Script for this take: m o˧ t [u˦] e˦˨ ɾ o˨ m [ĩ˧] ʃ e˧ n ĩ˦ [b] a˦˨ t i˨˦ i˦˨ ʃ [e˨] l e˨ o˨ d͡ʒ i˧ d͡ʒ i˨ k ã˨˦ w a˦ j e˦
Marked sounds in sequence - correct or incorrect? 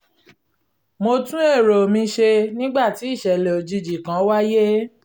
incorrect: ũ˦, correct, incorrect: ɡ͡b, incorrect: ɛ˨

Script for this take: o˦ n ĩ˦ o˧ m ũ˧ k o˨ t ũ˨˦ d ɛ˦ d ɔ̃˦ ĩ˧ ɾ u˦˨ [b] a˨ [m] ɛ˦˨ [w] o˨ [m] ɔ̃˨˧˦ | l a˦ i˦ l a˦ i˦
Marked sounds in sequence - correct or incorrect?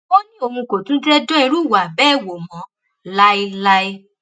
incorrect: w, incorrect: b, correct, correct

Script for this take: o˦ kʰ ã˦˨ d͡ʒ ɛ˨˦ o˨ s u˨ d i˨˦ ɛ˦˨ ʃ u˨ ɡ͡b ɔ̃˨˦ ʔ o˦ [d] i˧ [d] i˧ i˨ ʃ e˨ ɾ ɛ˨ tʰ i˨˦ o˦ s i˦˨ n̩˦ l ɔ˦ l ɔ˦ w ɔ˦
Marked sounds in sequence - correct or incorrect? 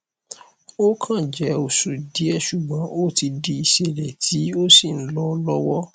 incorrect: t, correct

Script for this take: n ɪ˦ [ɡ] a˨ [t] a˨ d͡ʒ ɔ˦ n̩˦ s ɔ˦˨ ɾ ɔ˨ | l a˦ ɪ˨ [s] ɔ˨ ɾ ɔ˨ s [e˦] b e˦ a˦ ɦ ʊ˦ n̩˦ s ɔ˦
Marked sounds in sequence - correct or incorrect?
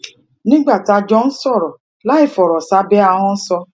incorrect: ɡ͡b, correct, incorrect: f, incorrect: a˦

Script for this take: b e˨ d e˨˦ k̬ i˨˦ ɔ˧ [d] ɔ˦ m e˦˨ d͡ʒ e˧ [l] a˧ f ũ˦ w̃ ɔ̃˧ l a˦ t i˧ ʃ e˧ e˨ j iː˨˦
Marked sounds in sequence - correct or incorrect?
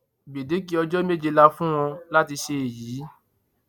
incorrect: d͡ʒ, correct

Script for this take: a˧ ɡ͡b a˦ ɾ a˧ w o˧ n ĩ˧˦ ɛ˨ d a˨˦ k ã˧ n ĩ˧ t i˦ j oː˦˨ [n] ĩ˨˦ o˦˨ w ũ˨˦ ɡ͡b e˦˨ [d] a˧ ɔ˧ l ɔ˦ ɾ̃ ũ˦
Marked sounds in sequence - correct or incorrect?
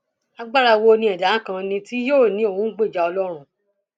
correct, incorrect: d͡ʒ

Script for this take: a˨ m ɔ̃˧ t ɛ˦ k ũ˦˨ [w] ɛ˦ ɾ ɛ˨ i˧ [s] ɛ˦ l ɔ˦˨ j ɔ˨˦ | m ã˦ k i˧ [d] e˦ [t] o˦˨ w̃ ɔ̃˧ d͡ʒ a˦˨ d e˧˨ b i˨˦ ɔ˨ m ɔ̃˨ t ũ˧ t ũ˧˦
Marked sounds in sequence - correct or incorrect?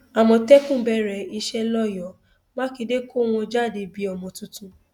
incorrect: b, incorrect: ʃ, correct, incorrect: k

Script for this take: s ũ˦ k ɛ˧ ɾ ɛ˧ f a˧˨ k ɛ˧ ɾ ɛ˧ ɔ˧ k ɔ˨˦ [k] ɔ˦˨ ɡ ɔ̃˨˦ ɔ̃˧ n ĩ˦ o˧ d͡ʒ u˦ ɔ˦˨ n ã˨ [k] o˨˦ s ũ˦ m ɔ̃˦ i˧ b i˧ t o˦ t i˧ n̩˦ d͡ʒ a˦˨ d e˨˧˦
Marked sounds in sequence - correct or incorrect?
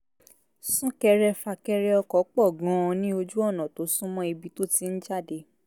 incorrect: k͡p, incorrect: t

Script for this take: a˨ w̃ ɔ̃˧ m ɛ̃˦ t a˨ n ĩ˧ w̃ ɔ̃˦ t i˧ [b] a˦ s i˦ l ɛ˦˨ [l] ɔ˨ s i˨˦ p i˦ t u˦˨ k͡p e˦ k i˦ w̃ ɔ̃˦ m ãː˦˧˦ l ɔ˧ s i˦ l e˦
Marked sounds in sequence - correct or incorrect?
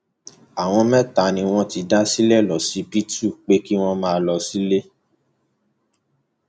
incorrect: d, correct

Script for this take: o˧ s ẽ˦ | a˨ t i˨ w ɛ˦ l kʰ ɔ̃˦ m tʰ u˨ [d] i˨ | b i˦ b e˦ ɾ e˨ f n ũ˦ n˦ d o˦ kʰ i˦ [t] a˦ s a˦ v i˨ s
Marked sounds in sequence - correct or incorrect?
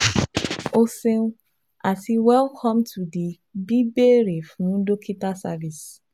correct, correct

